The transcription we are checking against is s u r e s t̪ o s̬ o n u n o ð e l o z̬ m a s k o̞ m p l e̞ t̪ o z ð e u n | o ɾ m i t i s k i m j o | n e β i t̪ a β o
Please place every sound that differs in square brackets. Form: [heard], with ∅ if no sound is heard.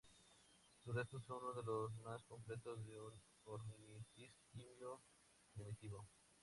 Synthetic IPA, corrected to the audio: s u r e s t̪ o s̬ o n u n o ð e l o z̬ m a s k o̞ m p l e̞ t̪ o z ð e u n | o ɾ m i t i s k i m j o | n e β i t̪ [i] β o